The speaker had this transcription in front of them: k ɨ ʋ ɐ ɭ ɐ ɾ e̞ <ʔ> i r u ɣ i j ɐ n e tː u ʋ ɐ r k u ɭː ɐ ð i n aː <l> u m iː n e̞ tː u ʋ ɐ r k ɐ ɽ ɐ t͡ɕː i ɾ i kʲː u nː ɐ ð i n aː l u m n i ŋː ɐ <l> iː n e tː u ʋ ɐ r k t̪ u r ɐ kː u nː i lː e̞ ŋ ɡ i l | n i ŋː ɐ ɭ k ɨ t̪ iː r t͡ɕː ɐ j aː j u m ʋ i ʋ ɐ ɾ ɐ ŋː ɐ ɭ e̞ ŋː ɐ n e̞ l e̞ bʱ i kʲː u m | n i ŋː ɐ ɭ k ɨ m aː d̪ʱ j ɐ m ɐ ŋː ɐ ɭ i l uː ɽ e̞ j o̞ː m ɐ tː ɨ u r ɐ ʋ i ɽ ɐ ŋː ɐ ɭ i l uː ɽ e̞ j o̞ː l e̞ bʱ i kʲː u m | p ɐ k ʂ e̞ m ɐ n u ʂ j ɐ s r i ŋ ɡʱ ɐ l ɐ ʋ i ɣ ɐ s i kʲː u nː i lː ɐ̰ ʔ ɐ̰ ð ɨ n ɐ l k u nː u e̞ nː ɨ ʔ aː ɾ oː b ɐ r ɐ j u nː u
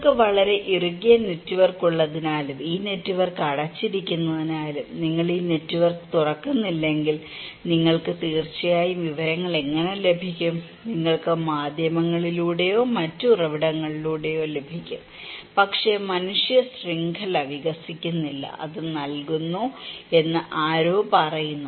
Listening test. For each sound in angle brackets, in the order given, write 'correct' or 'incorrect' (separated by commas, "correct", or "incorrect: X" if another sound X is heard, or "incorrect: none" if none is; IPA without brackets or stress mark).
correct, correct, incorrect: ɭ